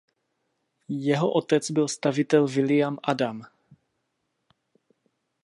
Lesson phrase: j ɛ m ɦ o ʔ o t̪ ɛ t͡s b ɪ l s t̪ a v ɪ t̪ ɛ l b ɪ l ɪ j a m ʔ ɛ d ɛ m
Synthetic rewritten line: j ɛ ɦ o ʔ o t̪ ɛ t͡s b ɪ l s t̪ a v ɪ t̪ ɛ l v ɪ l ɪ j a m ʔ a d a m